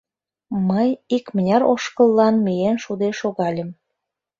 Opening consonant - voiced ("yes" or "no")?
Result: yes